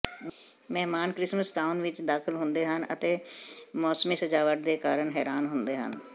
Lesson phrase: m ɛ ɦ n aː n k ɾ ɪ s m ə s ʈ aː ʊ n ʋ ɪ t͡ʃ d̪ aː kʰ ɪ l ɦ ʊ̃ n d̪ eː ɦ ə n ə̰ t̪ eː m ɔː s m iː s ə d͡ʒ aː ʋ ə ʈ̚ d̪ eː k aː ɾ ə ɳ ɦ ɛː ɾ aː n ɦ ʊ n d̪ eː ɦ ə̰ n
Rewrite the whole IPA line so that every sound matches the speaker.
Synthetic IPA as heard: m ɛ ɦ m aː n k ɾ ɪ s m ə s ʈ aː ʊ n ʋ ɪ t͡ʃ d̪ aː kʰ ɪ l ɦ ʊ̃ n d̪ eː ɦ ə n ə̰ t̪ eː m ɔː s m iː s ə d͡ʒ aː ʋ ə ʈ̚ d̪ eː k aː ɾ ə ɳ ɦ ɛː ɾ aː n ɦ ʊ n d̪ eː ɦ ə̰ n

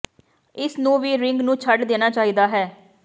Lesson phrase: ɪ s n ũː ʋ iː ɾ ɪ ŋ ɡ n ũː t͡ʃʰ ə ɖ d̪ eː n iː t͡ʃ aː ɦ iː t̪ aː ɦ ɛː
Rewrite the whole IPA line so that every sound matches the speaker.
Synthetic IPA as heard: ɪ s n ũː ʋ iː ɾ ɪ ŋ ɡ n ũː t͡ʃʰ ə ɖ d̪ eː n aː t͡ʃ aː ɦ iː d̪ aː ɦ ɛː

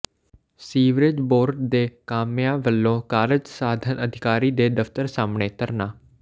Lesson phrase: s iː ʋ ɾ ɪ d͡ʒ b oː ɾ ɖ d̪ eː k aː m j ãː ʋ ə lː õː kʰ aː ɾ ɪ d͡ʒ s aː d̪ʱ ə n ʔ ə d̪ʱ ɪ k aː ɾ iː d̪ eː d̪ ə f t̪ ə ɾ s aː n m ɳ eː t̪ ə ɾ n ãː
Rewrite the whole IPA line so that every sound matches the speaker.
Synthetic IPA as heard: s iː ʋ ɾ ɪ d͡ʒ b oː ɾ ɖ d̪ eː k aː m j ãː ʋ ə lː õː k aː ɾ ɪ d͡ʒ s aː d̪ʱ ə n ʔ ə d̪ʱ ɪ k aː ɾ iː d̪ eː d̪ ə f t̪ ə ɾ s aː m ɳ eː t̪ ə ɾ n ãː

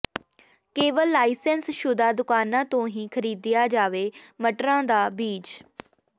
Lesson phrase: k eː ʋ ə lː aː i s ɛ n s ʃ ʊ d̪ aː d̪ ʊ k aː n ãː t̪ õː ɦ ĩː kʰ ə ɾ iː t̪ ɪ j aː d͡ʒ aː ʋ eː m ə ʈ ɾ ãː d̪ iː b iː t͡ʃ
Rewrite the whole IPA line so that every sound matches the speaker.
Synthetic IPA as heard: k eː ʋ ə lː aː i s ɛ n s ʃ ʊ d̪ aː d̪ ʊ k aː n ãː t̪ õː ɦ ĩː kʰ ə ɾ iː d̪ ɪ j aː d͡ʒ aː ʋ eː m ə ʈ ɾ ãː d̪ aː b iː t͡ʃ

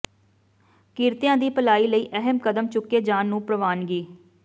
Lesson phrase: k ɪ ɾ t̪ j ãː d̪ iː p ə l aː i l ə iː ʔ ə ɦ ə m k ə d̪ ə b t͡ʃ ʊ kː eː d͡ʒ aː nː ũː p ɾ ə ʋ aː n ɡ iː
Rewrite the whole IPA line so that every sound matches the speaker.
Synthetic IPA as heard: k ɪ ɾ t̪ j ãː d̪ iː p ə l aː iː l ə iː ʔ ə ɦ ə m k ə d̪ ə m t͡ʃ ʊ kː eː d͡ʒ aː nː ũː p ɾ ə ʋ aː n ɡ iː

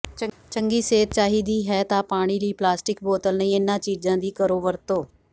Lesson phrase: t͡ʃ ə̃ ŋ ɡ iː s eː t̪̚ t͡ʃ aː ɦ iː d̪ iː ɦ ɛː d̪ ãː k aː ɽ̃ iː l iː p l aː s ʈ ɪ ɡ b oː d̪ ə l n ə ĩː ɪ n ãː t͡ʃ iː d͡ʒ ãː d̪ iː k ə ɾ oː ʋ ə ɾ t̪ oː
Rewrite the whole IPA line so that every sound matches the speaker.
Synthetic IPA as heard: t͡ʃ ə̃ ŋ ɡ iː s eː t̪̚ t͡ʃ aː ɦ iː d̪ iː ɦ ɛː t̪ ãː p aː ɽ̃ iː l iː p l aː s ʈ ɪ k b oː t̪ ə l n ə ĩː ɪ n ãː t͡ʃ iː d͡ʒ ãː d̪ iː k ə ɾ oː ʋ ə ɾ t̪ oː

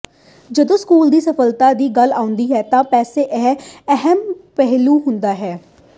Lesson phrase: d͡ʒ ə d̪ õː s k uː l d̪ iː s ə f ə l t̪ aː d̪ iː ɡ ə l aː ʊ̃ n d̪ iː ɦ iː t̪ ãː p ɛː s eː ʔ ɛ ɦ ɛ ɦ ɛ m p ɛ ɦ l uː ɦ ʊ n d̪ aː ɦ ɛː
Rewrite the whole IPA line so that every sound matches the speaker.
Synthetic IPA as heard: d͡ʒ ə d̪ õː s k uː l d̪ iː s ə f ə l t̪ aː d̪ iː ɡ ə l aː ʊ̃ n d̪ iː ɦ ɛː t̪ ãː p ɛː s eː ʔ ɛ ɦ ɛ ɦ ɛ m p ɛ ɦ l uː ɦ ʊ n d̪ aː ɦ ɛː

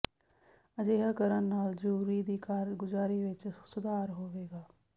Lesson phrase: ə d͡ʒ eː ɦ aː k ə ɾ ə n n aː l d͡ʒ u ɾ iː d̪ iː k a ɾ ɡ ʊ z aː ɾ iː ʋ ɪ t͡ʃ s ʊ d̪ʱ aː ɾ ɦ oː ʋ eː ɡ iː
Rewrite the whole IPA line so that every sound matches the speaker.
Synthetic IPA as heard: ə d͡ʒ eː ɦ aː k ə ɾ ə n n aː l d͡ʒ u ɾ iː d̪ iː k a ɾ ɡ ʊ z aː ɾ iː ʋ ɪ t͡ʃ s ʊ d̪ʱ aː ɾ ɦ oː ʋ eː ɡ aː

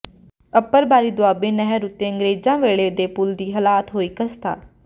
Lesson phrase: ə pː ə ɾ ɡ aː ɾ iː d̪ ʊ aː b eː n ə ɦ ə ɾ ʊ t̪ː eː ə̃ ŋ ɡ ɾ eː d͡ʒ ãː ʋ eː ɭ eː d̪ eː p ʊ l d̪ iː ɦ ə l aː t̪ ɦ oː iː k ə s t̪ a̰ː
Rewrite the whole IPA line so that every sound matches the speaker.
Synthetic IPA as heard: ə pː ə ɾ b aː ɾ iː d̪ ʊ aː b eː n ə ɦ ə ɾ ʊ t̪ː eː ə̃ ŋ ɡ ɾ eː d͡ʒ ãː ʋ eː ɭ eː d̪ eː p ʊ l d̪ iː ɦ ə l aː t̪ ɦ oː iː k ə s t̪ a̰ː

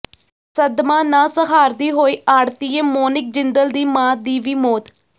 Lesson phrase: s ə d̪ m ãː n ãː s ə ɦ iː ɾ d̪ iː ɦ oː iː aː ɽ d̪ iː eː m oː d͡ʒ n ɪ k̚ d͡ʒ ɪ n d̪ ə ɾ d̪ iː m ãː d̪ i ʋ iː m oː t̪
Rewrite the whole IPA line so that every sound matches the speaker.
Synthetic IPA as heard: s ə d̪ m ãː n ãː s ə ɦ aː ɾ d̪ iː ɦ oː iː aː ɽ t̪ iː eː m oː n ɪ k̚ d͡ʒ ɪ n d̪ ə l d̪ iː m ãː d̪ iː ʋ iː m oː t̪

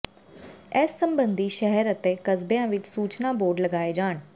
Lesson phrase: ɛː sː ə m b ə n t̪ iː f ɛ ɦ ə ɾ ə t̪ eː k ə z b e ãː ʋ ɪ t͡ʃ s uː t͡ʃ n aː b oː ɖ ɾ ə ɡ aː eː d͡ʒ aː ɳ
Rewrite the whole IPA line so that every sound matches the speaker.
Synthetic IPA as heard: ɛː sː ə m b ə n d̪ iː ʃ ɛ ɦ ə ɾ ə t̪ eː k ə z b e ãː ʋ ɪ t͡ʃ s uː t͡ʃ n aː b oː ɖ l ə ɡ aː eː d͡ʒ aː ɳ

